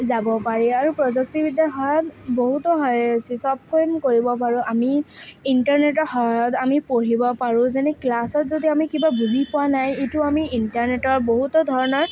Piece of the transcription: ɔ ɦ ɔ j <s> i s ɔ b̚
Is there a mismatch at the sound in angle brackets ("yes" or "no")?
no